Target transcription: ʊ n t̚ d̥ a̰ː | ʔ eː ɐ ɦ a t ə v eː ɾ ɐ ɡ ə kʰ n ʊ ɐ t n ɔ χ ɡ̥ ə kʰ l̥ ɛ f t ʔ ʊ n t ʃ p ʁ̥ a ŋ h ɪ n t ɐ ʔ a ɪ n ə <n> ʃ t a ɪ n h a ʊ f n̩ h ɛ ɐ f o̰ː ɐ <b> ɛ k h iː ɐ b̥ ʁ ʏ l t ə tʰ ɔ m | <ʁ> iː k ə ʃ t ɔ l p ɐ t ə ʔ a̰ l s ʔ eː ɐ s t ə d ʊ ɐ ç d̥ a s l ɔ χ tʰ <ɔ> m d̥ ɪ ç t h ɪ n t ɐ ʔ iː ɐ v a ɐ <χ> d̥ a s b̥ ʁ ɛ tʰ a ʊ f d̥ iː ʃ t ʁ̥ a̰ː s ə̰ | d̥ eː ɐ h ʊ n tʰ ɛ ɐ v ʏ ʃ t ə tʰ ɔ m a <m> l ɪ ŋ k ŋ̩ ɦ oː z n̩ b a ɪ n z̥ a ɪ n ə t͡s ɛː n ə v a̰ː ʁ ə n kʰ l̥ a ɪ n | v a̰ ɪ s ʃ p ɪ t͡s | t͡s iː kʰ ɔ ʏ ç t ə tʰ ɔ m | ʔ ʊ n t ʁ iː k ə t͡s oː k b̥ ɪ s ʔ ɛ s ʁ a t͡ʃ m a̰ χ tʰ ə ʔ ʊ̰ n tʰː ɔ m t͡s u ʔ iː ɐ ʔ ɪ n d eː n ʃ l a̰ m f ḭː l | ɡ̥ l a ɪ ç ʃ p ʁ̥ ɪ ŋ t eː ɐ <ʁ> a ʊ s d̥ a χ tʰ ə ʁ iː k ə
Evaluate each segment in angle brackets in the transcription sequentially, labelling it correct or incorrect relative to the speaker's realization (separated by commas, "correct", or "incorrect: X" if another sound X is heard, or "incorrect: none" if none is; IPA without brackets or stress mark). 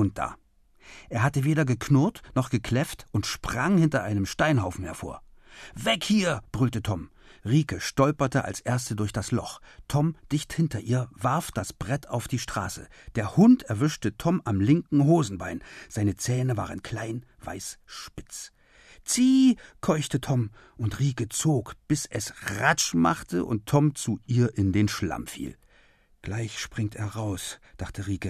incorrect: m, incorrect: v, correct, correct, incorrect: f, correct, correct